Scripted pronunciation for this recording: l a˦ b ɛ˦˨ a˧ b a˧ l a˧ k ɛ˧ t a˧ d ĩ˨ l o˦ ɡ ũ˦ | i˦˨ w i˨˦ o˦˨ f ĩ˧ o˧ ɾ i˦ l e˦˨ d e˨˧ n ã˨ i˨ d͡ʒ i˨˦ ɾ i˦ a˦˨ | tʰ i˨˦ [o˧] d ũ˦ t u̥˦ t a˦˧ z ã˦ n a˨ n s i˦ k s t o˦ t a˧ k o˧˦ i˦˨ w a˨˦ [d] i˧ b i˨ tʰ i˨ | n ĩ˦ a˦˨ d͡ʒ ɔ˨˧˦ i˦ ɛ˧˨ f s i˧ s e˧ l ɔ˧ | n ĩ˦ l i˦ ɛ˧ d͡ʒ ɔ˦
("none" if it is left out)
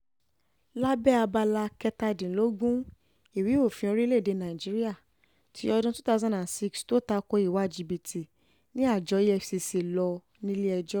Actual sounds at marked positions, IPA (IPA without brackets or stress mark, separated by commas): ɔ˧, d͡ʒ